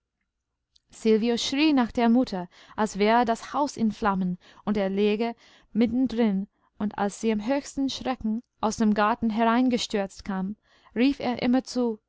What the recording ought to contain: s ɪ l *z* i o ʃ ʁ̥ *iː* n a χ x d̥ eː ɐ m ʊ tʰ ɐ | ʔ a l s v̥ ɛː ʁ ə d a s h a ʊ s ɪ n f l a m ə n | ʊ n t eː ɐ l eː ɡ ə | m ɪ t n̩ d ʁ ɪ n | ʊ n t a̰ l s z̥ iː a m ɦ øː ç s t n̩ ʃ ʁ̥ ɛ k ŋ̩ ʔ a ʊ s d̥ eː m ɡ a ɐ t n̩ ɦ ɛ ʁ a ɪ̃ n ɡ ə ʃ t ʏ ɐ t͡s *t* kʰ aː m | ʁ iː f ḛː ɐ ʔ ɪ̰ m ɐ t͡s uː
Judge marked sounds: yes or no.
no, yes, yes

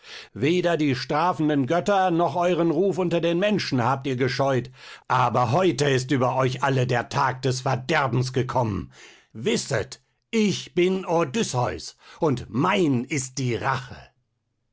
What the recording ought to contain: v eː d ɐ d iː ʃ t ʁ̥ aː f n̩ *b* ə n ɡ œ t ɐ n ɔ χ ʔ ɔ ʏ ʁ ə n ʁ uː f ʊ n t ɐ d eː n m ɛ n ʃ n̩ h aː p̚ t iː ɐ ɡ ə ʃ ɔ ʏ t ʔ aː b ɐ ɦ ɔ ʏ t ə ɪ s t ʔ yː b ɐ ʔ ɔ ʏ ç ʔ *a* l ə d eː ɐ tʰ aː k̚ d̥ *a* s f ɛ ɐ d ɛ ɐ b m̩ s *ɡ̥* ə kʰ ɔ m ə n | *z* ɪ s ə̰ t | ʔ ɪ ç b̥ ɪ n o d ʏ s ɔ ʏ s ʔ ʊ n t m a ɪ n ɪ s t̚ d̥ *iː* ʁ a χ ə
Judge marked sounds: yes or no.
no, yes, no, yes, no, yes

